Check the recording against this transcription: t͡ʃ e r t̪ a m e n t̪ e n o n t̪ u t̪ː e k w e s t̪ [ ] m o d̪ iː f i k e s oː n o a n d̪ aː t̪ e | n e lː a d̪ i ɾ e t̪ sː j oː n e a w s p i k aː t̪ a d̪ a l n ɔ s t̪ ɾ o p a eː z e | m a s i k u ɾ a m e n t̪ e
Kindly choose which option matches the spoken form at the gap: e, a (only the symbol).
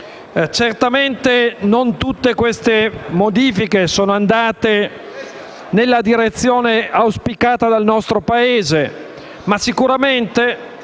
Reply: e